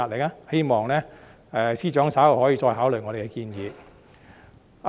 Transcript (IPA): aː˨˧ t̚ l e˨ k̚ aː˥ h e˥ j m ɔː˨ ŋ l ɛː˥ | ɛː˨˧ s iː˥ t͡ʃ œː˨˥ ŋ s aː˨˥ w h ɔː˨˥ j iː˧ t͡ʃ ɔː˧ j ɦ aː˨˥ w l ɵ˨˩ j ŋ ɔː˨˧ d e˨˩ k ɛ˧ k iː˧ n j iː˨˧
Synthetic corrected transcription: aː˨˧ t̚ l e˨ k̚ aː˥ h e˥ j m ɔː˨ ŋ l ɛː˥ | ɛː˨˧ s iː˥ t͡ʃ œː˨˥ ŋ s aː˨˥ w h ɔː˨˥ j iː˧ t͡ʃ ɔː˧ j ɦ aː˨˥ w l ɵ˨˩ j ŋ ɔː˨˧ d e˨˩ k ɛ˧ k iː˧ n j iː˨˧

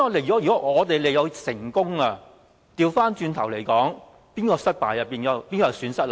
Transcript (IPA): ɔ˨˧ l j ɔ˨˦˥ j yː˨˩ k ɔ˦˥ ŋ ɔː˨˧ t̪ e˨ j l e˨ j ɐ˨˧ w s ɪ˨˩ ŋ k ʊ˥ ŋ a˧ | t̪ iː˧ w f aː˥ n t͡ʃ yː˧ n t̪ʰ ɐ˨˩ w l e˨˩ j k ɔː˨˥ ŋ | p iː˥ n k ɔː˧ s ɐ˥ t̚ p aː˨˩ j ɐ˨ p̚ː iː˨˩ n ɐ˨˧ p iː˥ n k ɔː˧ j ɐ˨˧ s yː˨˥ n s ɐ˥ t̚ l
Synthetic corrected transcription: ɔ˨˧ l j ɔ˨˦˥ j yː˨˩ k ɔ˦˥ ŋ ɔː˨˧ t̪ e˨ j l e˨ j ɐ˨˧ w s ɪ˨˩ ŋ k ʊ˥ ŋ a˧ | t̪ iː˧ w f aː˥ n t͡ʃ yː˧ n t̪ʰ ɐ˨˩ w l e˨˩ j k ɔː˨˥ ŋ | p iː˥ n k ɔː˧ s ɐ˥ t̚ p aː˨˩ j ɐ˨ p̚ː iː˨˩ n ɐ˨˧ p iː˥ n k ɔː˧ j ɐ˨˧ s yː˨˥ n s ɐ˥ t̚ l

